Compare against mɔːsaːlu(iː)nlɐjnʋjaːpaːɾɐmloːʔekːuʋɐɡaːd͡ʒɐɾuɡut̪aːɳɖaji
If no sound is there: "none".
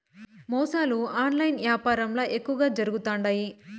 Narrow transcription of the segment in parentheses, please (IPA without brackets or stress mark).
aː